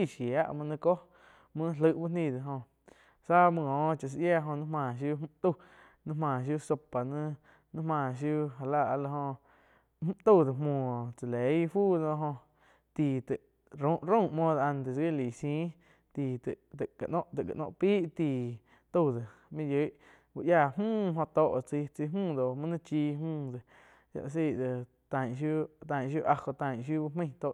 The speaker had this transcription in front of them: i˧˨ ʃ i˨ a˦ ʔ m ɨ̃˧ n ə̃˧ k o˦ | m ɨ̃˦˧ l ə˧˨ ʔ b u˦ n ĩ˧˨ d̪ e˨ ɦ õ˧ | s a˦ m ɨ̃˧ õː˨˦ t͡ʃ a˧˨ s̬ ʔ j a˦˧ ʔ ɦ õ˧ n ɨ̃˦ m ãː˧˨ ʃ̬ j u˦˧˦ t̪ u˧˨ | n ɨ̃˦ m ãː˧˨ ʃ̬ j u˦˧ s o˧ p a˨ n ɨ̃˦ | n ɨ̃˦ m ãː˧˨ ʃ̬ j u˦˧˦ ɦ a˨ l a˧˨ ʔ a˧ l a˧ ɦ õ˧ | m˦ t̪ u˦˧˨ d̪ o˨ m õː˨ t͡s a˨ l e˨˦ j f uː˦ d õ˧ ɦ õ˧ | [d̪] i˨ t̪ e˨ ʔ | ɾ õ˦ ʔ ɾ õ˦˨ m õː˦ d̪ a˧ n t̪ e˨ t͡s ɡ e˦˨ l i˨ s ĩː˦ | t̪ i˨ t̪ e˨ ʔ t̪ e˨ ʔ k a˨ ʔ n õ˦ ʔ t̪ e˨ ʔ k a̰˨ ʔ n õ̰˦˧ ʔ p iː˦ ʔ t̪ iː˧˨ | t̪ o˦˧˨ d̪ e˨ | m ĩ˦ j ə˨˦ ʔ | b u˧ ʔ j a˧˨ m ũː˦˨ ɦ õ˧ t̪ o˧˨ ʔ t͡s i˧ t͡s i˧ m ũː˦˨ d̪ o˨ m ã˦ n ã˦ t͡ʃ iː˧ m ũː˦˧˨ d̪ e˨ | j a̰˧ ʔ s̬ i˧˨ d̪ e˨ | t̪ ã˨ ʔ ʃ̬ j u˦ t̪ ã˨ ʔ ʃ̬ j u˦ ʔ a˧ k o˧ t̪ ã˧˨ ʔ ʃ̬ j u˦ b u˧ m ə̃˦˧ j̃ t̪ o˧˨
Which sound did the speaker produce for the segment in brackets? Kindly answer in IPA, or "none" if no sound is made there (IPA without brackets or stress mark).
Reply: t̪